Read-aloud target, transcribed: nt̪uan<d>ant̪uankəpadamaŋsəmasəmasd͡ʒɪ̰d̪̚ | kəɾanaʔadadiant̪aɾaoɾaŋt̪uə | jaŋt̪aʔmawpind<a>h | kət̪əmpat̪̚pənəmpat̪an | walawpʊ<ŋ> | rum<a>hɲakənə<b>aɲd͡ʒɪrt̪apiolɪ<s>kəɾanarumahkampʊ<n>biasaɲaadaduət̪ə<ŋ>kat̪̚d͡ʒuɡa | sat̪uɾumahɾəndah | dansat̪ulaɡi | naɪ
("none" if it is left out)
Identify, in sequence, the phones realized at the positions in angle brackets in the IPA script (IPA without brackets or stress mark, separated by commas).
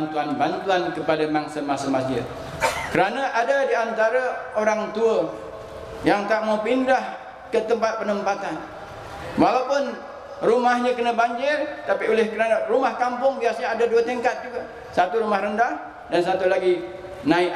b, a, n, a, b, h, ŋ, ŋ